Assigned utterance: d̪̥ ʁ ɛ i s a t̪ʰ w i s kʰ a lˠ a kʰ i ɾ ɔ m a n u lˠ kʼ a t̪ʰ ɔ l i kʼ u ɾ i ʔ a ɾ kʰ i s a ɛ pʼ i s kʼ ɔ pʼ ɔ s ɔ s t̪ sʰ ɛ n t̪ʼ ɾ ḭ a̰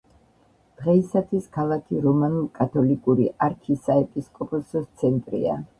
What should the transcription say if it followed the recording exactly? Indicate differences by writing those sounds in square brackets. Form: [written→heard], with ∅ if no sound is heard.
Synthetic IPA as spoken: d̪̥ ʁ ɛ i s a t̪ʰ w i s kʰ a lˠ a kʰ i ɾ ɔ m a n u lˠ kʼ a t̪ʰ ɔ l i kʼ u ɾ i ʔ a ɾ kʰ i s a ɛ pʼ i s kʼ ɔ pʼ ɔ s ɔ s t̪ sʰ ɛ n t̪ʼ ɾ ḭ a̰